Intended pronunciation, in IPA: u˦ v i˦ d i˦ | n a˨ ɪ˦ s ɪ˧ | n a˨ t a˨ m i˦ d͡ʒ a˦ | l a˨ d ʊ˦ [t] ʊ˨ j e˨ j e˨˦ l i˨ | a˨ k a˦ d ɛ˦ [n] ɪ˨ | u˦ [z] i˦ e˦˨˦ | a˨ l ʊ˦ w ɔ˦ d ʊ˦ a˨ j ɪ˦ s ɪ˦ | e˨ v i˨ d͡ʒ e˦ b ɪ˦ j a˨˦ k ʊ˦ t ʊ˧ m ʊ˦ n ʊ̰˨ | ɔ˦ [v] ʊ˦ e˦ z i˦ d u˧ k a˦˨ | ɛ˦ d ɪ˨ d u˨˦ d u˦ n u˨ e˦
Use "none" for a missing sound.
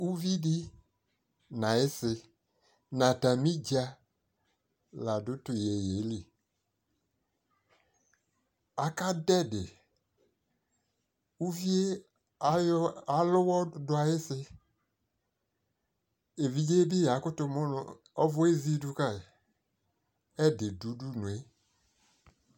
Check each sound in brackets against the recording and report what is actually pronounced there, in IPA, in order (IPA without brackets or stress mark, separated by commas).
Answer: t, d, v, v